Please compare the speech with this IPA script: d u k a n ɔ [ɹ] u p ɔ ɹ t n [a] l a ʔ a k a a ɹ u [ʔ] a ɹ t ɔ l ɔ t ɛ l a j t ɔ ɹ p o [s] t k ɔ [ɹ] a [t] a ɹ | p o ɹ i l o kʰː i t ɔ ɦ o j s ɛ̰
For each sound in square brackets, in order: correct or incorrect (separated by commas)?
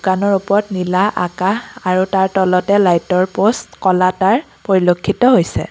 correct, incorrect, incorrect, correct, incorrect, correct